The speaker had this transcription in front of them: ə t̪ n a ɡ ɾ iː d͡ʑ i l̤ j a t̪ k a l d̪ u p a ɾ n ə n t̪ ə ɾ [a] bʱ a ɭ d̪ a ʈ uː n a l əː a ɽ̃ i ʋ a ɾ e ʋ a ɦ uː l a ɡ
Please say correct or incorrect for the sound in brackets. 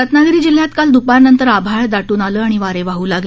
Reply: correct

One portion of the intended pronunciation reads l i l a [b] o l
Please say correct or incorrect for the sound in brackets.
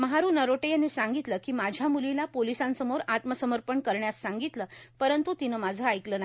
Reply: incorrect: p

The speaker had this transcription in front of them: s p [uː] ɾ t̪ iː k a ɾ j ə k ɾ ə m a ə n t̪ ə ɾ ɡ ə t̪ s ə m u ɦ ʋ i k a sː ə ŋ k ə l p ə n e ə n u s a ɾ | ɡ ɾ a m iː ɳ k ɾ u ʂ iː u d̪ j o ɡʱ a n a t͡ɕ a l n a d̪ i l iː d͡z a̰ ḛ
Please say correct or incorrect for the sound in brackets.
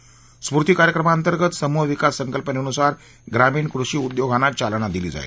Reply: incorrect: u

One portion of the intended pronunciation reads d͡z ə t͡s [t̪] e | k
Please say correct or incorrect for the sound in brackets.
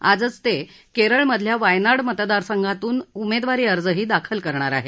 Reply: correct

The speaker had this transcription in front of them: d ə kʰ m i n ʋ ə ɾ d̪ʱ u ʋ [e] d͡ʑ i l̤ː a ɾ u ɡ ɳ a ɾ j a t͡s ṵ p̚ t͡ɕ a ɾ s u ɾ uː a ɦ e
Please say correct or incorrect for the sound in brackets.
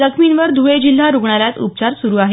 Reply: correct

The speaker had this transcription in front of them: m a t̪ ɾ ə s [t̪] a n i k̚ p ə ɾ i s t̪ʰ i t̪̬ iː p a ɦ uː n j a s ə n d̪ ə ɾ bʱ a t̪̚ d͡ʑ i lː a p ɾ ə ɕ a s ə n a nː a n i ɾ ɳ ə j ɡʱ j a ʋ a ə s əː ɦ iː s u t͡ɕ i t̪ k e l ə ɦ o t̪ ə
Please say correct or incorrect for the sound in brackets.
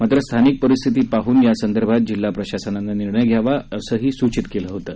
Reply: incorrect: t̪ʰ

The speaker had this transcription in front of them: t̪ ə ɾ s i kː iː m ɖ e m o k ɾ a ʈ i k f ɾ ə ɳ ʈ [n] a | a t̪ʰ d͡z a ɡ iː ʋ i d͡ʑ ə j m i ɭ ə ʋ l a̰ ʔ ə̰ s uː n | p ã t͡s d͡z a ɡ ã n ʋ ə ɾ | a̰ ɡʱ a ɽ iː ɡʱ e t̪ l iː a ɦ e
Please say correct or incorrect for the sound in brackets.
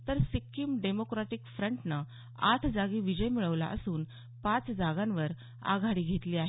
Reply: correct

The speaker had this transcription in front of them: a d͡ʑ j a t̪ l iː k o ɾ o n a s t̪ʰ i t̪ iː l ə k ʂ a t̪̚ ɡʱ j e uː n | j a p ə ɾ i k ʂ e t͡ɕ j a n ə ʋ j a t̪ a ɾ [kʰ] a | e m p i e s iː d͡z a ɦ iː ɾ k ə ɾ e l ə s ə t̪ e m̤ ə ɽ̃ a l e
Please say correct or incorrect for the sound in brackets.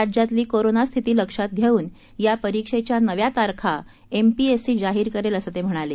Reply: correct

